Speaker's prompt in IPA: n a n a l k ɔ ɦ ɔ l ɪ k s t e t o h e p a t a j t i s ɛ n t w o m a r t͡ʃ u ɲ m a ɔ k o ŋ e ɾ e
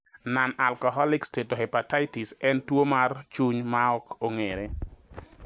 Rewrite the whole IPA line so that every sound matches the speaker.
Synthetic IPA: n a n a l k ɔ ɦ ɔ l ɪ k s t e t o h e p a t a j t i s ɛ n t w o m a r t͡ʃ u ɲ m a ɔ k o ŋ e ɾ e